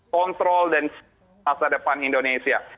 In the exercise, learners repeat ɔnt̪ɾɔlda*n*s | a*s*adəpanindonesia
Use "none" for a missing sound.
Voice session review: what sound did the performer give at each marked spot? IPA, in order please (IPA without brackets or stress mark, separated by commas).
n, s